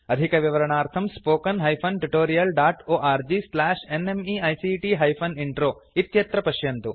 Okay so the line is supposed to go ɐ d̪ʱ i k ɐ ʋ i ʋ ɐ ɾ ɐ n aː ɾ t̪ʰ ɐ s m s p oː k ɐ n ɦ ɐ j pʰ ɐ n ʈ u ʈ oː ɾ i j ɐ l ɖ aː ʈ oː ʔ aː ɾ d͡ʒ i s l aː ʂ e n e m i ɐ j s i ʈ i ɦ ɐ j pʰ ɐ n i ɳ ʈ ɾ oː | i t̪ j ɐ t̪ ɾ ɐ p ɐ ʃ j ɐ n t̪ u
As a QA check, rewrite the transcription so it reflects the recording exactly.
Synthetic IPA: ɐ d̪ʱ i k ɐ ʋ i ʋ ɐ ɾ ɐ ɳ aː ɾ t̪ʰ ɐ m s p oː k ɐ n ɦ ɐ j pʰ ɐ n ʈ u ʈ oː ɾ i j ɐ l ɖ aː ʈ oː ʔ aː ɾ d͡ʒ i s l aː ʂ e n e m i ɐ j s i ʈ i ɦ ɐ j pʰ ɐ n i ɳ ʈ ɾ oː | i t̪ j ɐ t̪ ɾ ɐ p ɐ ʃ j ɐ n t̪ u

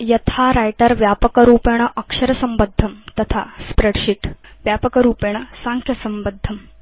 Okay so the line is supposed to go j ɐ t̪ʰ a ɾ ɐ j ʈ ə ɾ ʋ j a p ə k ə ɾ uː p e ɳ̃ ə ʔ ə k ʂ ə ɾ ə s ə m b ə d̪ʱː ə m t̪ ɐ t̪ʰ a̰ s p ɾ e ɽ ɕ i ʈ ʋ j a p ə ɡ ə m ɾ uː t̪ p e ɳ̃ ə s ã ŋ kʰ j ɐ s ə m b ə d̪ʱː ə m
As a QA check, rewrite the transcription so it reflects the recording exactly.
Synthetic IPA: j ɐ t̪ʰ a ɾ a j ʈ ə ɾ ʋ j a p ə k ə ɾ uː p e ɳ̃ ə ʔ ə k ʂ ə ɾ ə s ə m b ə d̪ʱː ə m t̪ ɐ t̪ʰ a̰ s p ɾ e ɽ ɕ i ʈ ʋ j a p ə k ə ɾ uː p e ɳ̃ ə s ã ŋ kʰ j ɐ s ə m b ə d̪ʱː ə m

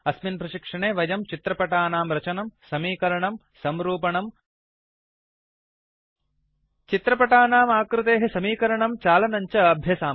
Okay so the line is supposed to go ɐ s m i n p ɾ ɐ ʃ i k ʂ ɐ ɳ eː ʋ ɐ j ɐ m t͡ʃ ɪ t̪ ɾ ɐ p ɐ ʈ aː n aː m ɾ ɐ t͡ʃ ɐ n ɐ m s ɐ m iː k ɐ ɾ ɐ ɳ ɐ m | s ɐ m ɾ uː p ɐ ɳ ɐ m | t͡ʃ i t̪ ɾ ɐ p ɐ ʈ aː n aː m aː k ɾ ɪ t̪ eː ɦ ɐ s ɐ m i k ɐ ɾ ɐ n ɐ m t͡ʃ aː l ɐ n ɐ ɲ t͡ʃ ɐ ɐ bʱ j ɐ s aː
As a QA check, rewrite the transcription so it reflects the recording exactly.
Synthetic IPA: ɐ s m i n p ɾ ɐ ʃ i k ʂ ɐ ɳ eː ʋ ɐ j ɐ m t͡ʃ i t̪ ɾ ɐ p ɐ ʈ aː n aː m ɾ ɐ t͡ʃ ɐ n ɐ m s ɐ m iː k ɐ ɾ ɐ ɳ ɐ m | s ɐ m ɾ uː p ɐ ɳ ɐ m | t͡ʃ i t̪ ɾ ɐ p ɐ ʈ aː n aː m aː k ɾ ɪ t̪ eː ɦ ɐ s ɐ m iː k ɐ ɾ ɐ ɳ ɐ m t͡ʃ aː l ɐ n ɐ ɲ t͡ʃ ɐ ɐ bʱ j ɐ s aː

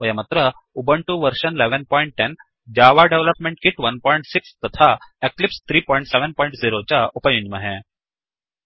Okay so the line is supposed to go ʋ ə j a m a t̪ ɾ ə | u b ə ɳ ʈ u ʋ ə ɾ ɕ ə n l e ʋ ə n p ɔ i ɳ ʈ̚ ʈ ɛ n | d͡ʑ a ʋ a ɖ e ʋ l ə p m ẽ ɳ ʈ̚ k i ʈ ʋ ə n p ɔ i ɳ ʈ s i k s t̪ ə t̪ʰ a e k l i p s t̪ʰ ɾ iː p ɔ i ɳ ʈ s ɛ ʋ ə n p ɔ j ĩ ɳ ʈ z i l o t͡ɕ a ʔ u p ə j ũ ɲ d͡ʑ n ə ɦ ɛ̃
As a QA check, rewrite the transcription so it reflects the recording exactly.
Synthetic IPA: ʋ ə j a m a t̪ ɾ ə | u b ə ɳ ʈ u ʋ ə ɾ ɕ ə n l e ʋ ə n p ɔ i ɳ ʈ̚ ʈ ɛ n | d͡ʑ a ʋ a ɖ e ʋ l ə p m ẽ ɳ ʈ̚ k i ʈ ʋ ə n p ɔ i ɳ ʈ s i k s t̪ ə t̪ʰ a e k l i p s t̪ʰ ɾ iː p ɔ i ɳ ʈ s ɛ ʋ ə n p ɔ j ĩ ɳ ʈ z i ɾ o t͡ɕ a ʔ u p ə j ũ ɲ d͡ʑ m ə ɦ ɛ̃

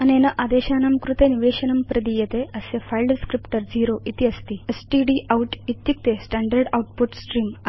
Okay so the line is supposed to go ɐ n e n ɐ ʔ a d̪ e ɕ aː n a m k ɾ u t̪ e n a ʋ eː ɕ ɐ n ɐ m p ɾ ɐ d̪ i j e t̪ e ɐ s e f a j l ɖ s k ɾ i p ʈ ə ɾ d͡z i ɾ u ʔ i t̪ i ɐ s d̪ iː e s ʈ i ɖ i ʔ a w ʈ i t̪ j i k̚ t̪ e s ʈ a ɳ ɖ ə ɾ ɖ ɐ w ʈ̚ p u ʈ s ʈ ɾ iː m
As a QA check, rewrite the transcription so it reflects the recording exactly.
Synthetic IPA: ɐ n e n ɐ ʔ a d̪ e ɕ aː n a m k ɾ u t̪ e n i ʋ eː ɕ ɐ n ɐ m p ɾ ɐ d̪ i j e t̪ e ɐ s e f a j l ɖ s k ɾ i p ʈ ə ɾ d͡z i ɾ o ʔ i t̪ i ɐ s t̪ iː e s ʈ i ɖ i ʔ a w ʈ i t̪ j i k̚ t̪ e s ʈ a ɳ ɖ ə ɾ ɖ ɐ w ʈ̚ p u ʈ s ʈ ɾ iː m

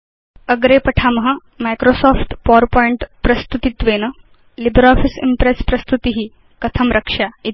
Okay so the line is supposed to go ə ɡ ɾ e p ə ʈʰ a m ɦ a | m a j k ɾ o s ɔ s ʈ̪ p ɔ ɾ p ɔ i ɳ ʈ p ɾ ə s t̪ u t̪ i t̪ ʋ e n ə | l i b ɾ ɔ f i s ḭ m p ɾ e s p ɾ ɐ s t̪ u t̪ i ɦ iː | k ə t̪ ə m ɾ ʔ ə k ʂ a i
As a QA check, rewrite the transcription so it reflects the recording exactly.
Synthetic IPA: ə ɡ ɾ e p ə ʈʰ a m ɦ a | m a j k ɾ o s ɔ f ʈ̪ p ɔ ɾ p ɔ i ɳ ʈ p ɾ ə s t̪ u t̪ i t̪ ʋ e n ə | l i b ɾ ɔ f i s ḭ m p ɾ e s p ɾ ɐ s t̪ u t̪ i ɦ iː | k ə t̪ʰ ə m ɾ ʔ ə k ʂ a i

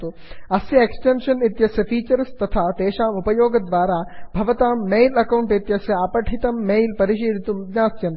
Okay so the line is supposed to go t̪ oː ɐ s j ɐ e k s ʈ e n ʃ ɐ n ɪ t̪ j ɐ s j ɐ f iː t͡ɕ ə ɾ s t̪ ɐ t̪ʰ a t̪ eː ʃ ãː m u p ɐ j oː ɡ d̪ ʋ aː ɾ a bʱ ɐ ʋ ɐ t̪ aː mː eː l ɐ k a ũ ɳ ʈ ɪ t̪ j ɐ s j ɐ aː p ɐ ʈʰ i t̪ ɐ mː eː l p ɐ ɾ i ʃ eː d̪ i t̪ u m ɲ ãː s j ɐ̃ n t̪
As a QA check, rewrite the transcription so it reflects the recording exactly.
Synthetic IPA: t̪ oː ɐ s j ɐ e k s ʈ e n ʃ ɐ n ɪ t̪ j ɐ s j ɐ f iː t͡ɕ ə ɾ s t̪ ɐ t̪ʰ a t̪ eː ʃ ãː m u p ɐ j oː ɡ d̪ ʋ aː ɾ a bʱ ɐ ʋ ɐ t̪ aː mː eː l ɐ k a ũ ɳ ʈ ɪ t̪ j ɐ s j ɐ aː p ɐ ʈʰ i t̪ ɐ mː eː l p ɐ ɾ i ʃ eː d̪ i t̪ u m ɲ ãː s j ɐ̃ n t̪

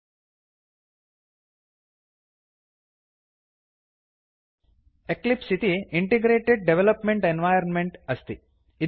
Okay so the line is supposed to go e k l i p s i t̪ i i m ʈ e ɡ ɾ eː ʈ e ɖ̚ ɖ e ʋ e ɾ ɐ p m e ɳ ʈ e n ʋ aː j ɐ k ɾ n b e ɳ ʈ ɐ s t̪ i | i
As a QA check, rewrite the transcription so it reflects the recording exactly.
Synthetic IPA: e k l i p s i t̪ i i ɳ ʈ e ɡ ɾ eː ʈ e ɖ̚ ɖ e ʋ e l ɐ p m e ɳ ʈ e n ʋ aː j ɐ ɾ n m e ɳ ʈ ɐ s t̪ i | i

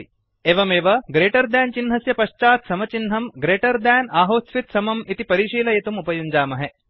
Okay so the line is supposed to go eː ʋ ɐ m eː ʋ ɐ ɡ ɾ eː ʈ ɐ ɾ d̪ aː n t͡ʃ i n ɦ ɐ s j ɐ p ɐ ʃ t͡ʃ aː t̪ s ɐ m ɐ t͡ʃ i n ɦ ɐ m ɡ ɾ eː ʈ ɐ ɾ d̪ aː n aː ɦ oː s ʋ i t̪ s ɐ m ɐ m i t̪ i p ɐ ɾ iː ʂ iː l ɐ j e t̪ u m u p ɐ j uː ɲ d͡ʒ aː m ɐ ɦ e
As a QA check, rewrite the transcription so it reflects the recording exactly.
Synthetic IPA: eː ʋ ɐ m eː ʋ ɐ ɡ ɾ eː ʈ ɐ ɾ d̪ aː n t͡ʃ i n ɦ ɐ s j ɐ p ɐ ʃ t͡ʃ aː t̪ s ɐ m ɐ t͡ʃ i n ɦ ɐ m ɡ ɾ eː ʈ ɐ ɾ d̪ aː n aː ɦ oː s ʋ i t̪ s ɐ m ɐ m i t̪ i p ɐ ɾ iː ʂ iː l ɐ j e t̪ u m u p ɐ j u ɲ d͡ʒ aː m ɐ ɦ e

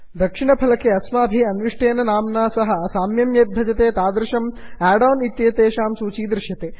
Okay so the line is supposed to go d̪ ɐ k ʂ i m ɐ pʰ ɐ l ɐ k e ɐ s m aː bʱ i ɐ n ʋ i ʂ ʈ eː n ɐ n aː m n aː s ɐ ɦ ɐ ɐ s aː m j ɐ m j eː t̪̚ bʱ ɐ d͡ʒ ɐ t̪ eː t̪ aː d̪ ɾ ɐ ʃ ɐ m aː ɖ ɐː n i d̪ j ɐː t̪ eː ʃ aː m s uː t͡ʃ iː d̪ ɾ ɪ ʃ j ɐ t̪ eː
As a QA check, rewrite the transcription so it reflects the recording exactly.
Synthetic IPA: d̪ ɐ k ʂ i ɳ ɐ pʰ ɐ l ɐ k e ɐ s m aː bʱ i ɐ n ʋ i ʂ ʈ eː n ɐ n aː m n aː s ɐ ɦ ɐ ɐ s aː m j ɐ m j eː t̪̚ bʱ ɐ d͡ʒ ɐ t̪ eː t̪ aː d̪ ɾ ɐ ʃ ɐ m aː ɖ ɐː n i t̪ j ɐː t̪ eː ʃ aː m s uː t͡ʃ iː d̪ ɾ ɪ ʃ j ɐ t̪ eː

